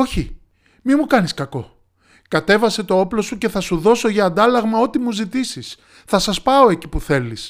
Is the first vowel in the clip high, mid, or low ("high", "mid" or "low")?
mid